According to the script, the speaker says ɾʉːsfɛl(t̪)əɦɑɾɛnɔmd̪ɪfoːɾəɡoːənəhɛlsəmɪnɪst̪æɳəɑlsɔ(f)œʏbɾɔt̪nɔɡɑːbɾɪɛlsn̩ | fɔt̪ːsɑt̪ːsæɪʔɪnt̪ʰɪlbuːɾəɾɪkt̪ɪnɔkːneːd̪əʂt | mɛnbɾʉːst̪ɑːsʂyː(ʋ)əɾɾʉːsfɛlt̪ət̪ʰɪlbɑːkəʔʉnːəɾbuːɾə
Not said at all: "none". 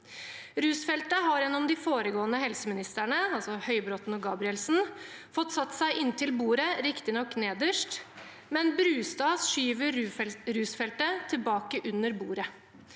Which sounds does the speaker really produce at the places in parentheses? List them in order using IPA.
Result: t̪, h, ʋ

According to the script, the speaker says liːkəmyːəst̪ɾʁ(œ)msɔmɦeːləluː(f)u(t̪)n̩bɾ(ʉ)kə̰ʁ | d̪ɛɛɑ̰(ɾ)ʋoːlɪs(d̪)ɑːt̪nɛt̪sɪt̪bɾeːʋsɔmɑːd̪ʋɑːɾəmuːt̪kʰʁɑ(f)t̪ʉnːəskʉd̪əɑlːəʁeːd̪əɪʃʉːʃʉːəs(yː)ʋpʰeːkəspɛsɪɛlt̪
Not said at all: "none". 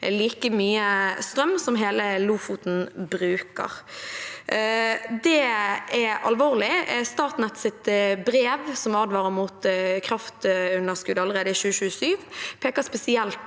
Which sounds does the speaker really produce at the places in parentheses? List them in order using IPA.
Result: œ, f, t̪, ʉː, l, t̪, f, yː

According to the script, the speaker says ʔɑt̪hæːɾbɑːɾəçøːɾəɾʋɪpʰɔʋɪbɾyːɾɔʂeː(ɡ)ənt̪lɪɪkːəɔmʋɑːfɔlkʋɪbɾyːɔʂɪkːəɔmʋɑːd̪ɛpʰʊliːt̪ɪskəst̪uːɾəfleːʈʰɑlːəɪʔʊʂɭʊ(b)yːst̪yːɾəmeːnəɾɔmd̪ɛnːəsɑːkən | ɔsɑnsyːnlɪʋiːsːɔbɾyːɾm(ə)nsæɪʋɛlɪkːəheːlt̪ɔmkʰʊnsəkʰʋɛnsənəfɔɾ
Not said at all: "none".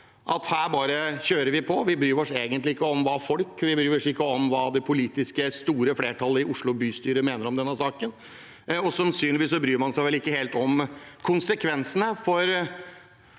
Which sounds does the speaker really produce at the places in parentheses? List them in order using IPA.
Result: ɡ, b, ɑ

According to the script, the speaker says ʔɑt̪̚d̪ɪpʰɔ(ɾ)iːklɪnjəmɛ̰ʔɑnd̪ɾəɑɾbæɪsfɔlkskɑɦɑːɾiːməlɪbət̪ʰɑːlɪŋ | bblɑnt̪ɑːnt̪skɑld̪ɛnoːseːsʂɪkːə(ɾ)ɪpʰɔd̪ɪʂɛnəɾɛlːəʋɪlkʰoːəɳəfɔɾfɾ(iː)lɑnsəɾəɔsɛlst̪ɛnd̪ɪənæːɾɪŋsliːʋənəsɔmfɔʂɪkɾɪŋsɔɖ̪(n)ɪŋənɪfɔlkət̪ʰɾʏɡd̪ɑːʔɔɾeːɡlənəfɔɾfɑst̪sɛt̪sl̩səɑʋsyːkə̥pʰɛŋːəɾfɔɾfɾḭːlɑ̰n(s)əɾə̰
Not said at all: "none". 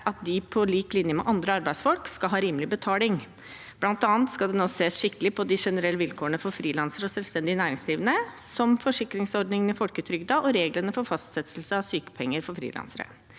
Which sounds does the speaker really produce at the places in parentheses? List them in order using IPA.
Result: l, l, iː, n, s

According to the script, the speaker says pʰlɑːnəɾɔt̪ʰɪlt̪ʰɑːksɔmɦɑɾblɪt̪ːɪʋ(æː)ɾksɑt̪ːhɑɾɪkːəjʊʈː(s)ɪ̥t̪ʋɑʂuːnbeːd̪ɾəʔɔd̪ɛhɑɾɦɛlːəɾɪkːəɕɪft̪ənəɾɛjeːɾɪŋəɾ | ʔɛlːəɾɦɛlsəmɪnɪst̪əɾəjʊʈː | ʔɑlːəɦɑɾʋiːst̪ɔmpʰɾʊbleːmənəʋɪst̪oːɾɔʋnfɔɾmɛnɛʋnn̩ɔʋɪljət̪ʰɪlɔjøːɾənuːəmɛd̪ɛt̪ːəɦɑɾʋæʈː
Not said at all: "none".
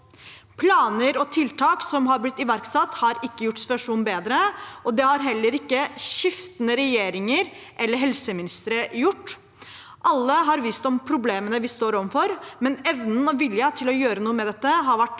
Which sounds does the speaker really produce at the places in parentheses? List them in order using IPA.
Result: æ, s

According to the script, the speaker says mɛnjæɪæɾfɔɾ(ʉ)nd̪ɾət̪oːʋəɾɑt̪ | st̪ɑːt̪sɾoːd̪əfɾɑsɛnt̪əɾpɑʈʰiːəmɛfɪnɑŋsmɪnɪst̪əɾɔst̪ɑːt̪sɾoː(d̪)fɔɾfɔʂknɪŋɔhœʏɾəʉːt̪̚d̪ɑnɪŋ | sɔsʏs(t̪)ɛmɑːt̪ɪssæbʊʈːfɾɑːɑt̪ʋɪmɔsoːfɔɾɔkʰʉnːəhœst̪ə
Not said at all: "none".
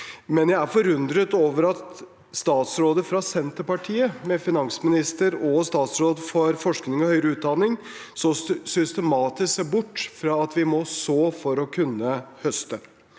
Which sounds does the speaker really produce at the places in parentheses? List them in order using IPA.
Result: ʉ, d̪, t̪

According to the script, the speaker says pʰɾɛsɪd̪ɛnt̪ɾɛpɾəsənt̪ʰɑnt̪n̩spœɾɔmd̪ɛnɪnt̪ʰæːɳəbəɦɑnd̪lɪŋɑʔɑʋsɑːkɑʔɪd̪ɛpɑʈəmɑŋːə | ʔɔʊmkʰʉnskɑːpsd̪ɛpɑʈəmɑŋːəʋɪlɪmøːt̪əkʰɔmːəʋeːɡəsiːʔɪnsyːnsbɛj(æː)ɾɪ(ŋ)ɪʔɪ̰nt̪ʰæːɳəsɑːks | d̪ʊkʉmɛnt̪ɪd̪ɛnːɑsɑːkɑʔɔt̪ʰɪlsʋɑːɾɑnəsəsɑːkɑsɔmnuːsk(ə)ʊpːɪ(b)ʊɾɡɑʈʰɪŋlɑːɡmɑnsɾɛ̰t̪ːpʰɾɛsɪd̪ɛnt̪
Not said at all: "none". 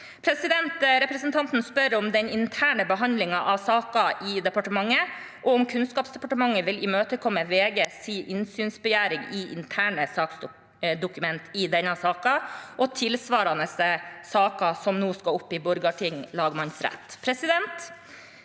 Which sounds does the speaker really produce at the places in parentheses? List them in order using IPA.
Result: æː, ŋ, ɑ, b

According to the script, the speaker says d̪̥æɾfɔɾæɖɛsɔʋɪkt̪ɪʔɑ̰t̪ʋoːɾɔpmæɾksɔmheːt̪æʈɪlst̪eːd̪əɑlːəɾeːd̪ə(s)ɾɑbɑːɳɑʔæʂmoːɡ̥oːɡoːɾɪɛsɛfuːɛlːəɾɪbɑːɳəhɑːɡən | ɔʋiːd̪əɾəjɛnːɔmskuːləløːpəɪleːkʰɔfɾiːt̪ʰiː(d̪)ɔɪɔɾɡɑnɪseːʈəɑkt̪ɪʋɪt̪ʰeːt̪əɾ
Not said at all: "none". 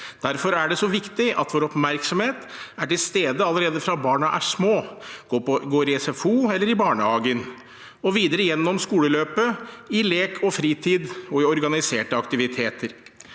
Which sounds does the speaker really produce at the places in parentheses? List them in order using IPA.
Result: f, d̪

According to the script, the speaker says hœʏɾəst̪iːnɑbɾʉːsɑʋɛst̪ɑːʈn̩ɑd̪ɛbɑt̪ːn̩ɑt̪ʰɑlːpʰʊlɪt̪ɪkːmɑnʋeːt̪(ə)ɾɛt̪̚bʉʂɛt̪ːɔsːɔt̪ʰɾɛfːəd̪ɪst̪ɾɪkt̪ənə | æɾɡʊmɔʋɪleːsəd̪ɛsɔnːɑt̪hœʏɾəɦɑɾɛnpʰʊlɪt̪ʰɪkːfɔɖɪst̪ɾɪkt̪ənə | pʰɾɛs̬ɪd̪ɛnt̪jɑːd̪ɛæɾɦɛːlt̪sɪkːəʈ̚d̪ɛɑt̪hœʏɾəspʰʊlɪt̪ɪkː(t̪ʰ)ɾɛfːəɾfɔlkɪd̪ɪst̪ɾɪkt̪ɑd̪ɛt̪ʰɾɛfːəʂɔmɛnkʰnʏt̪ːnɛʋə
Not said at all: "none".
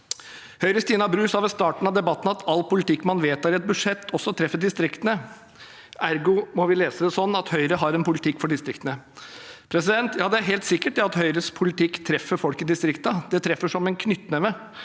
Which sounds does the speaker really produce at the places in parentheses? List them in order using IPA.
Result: ɑ, t̪ʰ

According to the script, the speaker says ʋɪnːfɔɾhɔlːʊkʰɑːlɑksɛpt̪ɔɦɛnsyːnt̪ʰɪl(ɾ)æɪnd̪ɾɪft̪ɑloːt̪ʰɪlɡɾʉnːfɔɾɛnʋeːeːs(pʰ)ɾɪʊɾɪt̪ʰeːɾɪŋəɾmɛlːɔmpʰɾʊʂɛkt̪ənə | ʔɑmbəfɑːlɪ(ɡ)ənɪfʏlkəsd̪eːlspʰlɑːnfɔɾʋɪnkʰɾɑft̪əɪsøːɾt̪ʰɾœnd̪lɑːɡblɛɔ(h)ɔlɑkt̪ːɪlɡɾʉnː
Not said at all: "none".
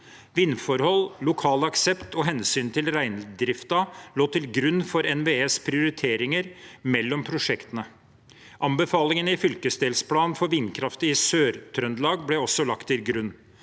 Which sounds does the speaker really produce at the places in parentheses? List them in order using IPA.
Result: ɾ, pʰ, ŋ, s

